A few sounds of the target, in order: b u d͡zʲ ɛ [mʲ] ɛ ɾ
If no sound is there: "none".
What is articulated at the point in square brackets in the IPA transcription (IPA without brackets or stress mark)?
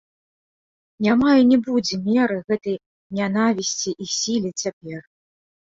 mʲ